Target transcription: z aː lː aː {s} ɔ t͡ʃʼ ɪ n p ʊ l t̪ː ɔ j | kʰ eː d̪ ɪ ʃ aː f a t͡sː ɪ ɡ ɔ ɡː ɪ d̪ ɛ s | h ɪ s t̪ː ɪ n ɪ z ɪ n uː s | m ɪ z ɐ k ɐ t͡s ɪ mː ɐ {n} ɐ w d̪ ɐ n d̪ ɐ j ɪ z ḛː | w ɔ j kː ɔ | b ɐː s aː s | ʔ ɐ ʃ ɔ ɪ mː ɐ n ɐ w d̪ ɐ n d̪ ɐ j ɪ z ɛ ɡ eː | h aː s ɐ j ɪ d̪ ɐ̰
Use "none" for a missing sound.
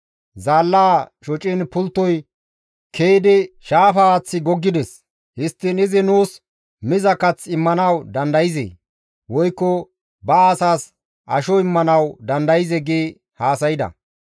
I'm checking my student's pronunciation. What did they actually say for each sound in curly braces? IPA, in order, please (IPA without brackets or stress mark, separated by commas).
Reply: ʃ, n